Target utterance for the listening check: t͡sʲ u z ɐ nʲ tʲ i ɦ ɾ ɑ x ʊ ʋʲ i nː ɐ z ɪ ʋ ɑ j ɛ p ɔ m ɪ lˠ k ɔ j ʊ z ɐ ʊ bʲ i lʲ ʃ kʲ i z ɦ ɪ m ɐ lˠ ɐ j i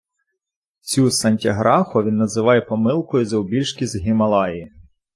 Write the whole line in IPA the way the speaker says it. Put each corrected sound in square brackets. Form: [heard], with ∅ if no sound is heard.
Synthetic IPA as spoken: t͡sʲ u [s] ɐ nʲ tʲ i ɦ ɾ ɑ x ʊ ʋʲ i nː ɐ z ɪ ʋ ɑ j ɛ p ɔ m ɪ lˠ k ɔ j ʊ z ɐ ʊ bʲ i lʲ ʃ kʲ i z ɦ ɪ m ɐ lˠ [ɑ] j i